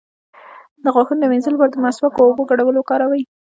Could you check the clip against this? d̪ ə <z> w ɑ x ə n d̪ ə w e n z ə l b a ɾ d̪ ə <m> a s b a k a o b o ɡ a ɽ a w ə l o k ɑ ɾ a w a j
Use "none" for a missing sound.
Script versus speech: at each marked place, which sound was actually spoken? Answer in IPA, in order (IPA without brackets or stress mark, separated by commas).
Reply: ɣ, m